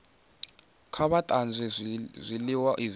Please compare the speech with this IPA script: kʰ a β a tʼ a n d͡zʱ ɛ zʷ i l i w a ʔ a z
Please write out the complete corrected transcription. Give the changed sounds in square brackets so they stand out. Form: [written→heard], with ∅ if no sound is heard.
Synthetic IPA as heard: kʰ a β a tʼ a n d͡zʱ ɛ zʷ i l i w a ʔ [a→i] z